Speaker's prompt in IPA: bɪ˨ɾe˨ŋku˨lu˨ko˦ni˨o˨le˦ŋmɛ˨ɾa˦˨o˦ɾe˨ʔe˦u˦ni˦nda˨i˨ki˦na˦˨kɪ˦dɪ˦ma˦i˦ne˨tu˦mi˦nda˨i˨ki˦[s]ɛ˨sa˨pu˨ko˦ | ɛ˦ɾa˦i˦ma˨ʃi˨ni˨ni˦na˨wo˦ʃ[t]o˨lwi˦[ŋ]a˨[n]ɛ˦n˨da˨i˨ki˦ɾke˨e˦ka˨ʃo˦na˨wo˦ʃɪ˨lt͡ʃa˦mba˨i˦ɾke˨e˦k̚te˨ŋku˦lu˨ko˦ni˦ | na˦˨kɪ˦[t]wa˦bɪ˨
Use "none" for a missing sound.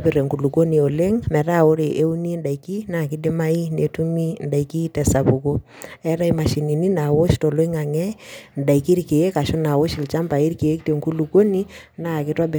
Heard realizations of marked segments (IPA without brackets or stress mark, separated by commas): t, t, ŋ, ŋ, t